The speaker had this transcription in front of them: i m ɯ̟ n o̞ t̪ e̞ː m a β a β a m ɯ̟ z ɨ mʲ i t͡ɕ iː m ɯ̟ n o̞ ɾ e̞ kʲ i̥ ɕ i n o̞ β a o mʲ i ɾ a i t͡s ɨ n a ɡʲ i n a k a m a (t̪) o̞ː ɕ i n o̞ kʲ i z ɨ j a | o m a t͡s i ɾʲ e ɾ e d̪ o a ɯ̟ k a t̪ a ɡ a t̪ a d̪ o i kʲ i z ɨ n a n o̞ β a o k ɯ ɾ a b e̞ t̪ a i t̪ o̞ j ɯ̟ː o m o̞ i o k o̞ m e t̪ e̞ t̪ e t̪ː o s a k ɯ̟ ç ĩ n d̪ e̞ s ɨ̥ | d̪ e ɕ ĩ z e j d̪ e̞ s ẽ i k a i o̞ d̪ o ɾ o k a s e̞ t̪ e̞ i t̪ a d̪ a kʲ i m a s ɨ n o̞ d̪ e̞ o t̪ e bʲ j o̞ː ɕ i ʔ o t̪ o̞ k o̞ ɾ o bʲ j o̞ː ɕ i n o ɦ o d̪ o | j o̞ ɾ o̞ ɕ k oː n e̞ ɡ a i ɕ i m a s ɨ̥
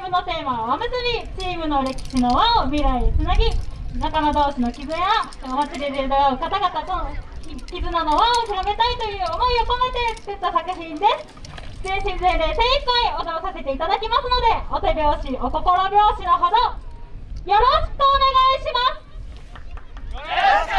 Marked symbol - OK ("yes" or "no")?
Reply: no